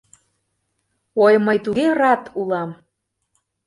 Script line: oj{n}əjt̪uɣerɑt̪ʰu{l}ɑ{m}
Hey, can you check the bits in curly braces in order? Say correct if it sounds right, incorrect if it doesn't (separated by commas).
incorrect, correct, correct